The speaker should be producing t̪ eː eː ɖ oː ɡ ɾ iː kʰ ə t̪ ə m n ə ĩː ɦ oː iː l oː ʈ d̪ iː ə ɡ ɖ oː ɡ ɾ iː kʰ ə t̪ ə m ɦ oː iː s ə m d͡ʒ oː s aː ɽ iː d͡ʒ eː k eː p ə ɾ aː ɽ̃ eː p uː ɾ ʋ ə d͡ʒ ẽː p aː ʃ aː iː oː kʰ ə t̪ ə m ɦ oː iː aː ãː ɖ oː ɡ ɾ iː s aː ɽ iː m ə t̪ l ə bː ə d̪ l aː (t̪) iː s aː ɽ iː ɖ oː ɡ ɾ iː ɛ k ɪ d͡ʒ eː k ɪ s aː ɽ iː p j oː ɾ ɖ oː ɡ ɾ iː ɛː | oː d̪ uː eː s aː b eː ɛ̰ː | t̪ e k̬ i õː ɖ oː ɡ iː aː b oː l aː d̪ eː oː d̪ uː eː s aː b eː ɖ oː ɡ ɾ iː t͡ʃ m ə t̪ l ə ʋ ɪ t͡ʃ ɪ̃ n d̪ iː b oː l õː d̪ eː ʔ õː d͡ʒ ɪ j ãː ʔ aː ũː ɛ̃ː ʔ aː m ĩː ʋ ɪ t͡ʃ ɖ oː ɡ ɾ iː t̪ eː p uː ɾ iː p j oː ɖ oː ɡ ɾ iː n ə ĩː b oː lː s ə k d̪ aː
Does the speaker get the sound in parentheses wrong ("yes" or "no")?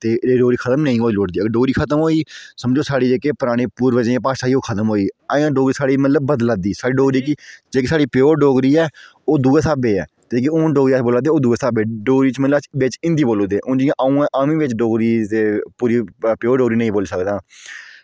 yes